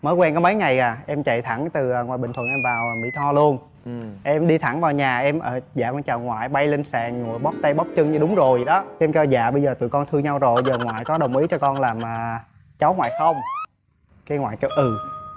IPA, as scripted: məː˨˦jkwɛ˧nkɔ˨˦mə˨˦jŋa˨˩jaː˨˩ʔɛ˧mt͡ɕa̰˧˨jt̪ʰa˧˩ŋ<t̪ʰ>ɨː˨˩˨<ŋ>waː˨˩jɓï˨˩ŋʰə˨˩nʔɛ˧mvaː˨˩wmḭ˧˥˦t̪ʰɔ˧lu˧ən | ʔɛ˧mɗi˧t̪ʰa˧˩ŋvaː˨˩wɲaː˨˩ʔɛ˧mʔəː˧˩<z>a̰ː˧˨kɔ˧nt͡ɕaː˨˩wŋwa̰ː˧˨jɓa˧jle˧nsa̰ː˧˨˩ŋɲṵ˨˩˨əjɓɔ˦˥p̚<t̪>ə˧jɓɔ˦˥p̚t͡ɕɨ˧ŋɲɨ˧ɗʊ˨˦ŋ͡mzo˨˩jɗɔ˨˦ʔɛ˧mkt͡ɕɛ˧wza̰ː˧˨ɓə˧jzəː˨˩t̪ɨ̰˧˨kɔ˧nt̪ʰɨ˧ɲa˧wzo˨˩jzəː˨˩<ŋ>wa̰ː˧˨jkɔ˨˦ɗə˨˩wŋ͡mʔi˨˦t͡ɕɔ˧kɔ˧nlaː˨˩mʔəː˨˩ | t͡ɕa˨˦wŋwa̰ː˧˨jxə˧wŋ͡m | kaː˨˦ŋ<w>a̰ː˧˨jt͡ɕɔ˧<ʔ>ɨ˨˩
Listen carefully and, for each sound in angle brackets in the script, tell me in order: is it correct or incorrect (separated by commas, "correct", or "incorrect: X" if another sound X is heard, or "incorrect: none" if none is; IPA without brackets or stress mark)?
incorrect: t̪, correct, correct, correct, correct, correct, correct